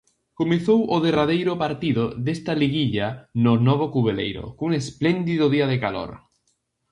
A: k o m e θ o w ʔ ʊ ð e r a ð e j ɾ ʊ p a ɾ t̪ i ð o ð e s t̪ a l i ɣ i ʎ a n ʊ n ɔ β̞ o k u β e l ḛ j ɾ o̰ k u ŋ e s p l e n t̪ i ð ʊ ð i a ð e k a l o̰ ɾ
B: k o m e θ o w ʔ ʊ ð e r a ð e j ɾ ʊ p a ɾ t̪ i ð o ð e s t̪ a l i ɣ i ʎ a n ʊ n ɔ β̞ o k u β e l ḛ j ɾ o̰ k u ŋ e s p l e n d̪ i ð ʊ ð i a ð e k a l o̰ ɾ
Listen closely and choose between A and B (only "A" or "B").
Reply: B